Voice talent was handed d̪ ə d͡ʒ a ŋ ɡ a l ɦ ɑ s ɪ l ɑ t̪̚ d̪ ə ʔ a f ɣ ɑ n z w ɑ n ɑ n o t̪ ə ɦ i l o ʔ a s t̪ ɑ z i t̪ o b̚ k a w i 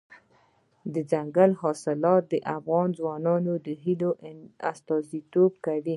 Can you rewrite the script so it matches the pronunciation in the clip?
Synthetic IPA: d̪ ə d͡ʒ a ŋ ɡ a l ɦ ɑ s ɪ l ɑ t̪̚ d̪ ə ʔ a f ɣ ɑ n z w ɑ n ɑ n o d̪ ə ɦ i l o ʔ a s t̪ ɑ z i t̪ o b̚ k a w i